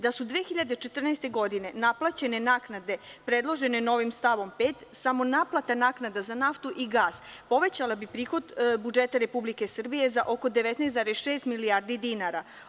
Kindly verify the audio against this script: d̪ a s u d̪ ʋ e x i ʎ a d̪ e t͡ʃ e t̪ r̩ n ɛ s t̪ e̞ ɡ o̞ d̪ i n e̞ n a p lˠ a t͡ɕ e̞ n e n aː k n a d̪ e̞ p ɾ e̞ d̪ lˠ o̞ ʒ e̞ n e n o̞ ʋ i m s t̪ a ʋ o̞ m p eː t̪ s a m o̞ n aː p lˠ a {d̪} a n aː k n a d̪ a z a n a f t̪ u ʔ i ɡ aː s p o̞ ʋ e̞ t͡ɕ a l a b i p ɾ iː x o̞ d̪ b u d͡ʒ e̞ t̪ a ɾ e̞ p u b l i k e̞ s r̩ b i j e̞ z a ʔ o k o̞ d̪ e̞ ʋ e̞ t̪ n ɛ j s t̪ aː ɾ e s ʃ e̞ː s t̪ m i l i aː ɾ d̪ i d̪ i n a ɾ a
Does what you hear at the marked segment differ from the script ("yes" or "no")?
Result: yes